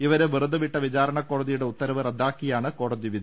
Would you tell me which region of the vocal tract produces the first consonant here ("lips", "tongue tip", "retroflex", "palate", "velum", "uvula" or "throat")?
lips